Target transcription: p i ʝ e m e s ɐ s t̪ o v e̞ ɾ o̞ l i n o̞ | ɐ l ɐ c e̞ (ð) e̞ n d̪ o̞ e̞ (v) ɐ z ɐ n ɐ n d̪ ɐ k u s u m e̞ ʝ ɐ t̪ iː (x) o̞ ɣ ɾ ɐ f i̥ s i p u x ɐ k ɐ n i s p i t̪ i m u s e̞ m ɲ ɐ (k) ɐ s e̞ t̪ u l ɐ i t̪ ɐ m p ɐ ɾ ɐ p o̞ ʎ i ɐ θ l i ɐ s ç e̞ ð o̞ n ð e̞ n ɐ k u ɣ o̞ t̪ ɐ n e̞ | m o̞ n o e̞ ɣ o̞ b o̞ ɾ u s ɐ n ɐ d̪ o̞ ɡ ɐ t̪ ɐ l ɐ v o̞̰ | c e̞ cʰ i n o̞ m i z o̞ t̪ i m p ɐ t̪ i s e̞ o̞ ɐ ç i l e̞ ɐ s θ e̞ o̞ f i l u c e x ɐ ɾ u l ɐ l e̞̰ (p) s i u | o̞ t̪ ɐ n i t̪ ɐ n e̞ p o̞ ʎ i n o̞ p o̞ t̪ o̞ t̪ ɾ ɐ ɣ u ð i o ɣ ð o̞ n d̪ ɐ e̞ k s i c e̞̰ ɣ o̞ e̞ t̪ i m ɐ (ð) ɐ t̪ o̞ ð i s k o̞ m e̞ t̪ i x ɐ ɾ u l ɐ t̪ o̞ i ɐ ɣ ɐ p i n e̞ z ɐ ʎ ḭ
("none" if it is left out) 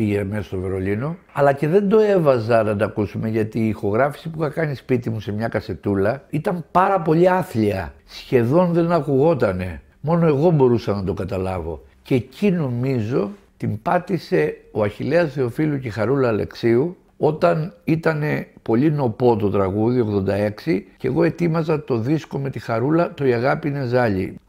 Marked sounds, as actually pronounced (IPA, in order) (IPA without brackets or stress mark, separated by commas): ð, v, x, k, k, z